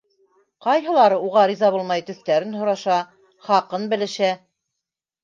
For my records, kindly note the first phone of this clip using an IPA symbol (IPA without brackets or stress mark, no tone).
q